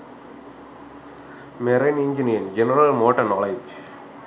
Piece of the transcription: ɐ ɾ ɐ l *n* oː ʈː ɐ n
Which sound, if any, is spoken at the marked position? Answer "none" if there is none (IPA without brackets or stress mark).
m